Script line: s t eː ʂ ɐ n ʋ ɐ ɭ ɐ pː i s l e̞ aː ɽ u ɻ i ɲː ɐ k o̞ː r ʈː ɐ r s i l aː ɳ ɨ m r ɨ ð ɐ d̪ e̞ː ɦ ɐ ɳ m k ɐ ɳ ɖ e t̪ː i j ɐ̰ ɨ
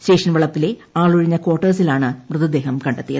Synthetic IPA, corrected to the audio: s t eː ʂ ɐ n ʋ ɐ ɭ ɐ pː i l e̞ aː ɭ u ɻ i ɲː ɐ k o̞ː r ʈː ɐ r s i l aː ɳ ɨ m r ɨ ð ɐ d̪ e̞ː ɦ ɐ m k ɐ ɳ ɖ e t̪ː i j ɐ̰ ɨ